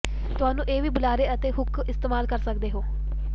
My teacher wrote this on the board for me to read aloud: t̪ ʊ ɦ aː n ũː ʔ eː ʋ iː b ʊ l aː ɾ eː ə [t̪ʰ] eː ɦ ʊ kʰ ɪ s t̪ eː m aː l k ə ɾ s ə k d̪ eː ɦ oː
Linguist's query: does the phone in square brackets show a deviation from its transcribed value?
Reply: yes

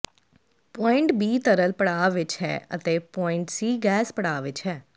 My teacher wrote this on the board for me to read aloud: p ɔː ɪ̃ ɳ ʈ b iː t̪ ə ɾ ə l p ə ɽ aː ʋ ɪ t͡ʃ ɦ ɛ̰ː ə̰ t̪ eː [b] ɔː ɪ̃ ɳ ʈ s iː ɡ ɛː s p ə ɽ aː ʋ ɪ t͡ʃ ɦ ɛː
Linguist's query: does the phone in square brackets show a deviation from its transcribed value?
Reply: yes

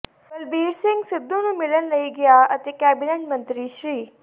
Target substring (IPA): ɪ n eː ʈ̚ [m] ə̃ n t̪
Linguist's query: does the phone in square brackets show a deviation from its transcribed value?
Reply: no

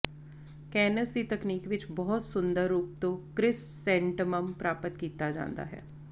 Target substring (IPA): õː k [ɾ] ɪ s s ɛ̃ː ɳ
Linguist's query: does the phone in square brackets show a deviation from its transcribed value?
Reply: no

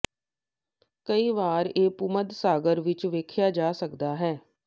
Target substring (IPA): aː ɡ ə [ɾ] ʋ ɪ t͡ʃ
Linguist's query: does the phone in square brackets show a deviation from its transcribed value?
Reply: no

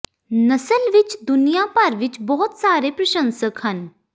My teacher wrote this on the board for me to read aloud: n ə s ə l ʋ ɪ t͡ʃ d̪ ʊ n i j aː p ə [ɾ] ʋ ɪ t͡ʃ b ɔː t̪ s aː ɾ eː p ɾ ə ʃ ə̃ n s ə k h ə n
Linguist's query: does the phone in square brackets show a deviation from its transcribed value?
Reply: no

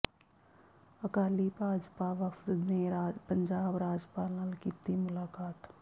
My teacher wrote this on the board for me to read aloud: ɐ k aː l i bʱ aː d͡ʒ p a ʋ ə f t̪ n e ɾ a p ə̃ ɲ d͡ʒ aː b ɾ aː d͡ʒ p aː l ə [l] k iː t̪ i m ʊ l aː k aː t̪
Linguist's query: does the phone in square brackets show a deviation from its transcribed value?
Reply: no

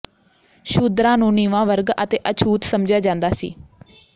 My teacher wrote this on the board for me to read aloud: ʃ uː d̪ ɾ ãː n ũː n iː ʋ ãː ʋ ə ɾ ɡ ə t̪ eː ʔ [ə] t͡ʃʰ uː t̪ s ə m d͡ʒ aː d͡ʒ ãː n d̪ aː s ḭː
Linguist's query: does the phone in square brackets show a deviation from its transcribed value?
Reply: no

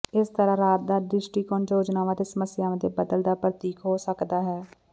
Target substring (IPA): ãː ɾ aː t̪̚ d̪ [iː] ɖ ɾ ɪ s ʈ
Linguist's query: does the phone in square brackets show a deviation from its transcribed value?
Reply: yes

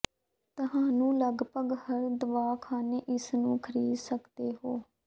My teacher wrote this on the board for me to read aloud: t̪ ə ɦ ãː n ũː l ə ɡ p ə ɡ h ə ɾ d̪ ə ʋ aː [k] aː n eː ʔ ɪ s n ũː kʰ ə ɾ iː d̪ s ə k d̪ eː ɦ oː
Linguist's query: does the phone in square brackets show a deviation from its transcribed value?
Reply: yes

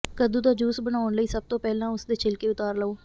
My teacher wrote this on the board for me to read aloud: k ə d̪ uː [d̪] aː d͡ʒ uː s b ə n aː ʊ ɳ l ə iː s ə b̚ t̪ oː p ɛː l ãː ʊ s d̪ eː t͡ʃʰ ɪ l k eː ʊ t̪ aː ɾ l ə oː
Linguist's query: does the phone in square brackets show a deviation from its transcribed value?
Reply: no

